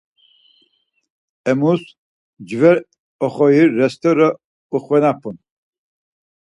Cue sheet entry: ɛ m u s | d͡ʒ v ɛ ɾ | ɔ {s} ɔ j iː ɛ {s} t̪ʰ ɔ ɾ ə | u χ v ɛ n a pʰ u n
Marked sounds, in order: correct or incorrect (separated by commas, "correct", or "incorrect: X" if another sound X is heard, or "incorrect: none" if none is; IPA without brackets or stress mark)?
incorrect: χ, correct